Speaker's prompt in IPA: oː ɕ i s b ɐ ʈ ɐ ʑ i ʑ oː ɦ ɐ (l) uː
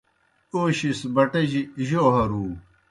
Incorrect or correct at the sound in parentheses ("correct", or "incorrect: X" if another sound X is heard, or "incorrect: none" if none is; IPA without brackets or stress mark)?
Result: incorrect: ɾ